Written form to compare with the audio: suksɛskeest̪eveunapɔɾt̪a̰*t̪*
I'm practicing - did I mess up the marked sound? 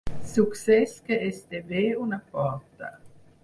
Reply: yes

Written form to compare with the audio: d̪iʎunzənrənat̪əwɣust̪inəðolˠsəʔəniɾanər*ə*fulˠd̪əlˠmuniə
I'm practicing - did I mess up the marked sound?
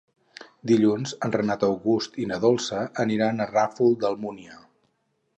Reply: yes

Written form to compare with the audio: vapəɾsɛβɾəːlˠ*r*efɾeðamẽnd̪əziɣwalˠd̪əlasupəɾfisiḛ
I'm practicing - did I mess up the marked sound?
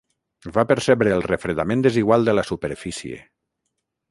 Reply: no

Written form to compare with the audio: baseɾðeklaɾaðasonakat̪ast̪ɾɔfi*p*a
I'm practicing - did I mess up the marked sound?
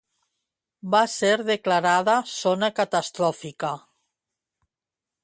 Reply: yes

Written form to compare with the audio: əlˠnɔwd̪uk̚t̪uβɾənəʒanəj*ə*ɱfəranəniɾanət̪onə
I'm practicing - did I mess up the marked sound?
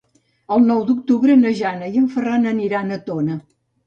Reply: no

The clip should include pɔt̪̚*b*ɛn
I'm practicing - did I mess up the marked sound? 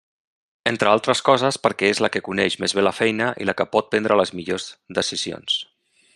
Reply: yes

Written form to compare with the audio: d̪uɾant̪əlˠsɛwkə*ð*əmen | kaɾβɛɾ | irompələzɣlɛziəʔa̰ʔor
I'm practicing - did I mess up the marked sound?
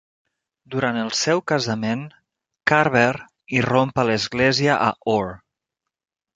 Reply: yes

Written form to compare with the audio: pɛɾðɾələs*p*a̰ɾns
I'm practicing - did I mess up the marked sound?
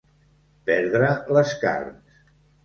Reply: yes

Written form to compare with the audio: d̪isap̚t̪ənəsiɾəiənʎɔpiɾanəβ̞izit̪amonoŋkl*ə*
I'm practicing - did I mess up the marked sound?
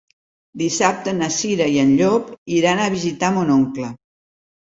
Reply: no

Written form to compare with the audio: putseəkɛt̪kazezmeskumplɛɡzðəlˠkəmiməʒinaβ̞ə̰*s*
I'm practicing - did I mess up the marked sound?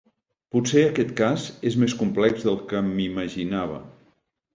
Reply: yes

